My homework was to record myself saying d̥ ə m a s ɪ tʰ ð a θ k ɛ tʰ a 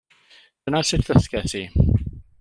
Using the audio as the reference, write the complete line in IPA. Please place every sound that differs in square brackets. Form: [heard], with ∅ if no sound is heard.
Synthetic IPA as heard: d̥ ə [n] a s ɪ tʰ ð [ə] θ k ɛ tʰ [i]